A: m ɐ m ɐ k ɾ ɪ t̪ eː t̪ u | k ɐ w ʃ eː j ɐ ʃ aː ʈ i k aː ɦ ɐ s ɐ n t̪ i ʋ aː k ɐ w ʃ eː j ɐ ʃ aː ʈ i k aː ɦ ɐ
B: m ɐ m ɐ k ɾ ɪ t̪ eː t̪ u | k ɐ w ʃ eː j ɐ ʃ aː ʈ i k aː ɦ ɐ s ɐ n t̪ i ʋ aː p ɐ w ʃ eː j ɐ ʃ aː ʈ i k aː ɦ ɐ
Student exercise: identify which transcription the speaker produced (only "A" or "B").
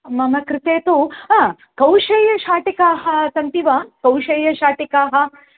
A